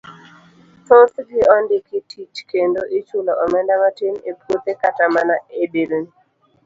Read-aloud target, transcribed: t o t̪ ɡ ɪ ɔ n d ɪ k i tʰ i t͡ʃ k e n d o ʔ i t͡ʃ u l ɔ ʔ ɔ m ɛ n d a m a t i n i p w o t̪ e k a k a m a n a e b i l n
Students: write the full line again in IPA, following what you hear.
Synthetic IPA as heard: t o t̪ ɡ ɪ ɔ n d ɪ k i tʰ i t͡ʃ k e n d o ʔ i t͡ʃ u l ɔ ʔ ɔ m ɛ n d a m a t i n e p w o t̪ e k a t a m a n a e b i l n